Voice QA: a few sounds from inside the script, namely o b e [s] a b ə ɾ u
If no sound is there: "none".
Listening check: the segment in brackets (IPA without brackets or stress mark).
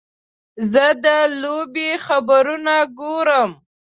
x